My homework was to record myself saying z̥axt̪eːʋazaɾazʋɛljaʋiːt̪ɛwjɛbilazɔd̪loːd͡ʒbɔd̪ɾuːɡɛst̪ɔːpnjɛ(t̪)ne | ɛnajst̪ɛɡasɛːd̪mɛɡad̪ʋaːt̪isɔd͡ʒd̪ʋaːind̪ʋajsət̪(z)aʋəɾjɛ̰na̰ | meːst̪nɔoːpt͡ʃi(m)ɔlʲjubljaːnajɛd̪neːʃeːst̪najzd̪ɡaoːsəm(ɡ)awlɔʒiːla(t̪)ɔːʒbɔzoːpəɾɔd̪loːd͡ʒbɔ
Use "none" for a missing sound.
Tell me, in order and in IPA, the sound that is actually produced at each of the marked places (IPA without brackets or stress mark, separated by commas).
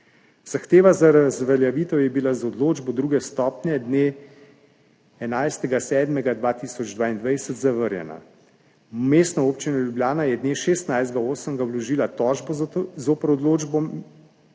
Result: d̪, z, n, ɡ, t̪